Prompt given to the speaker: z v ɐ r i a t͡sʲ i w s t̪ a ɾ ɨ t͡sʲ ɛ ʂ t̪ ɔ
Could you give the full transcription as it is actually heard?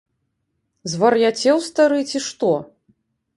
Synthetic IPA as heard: z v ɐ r j a t͡sʲ ɛ w s t̪ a ɾ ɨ t͡sʲ i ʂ t̪ ɔ